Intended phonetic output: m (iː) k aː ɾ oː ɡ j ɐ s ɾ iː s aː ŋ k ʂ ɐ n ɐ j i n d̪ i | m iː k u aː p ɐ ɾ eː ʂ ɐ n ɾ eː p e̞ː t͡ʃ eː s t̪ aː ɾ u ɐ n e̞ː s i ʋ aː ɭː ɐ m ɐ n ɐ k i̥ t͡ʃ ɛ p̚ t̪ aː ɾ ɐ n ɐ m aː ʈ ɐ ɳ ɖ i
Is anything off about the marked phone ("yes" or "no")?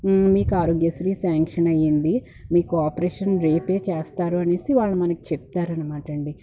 no